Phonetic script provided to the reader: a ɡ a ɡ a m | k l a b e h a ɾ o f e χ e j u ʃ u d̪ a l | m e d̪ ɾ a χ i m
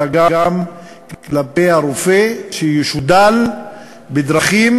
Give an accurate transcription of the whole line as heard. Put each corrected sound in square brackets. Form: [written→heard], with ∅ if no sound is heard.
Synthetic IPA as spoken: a ɡ a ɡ a m | k l a [b→p] e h a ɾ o f e [χ→ʃ] e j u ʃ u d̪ a l | [m→b] e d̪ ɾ a χ i m